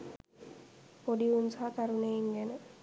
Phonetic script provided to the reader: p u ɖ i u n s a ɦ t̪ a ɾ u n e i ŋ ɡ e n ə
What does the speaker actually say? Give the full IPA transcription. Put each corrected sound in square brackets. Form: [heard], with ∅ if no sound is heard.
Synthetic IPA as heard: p [o] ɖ i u n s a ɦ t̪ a ɾ u n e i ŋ ɡ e n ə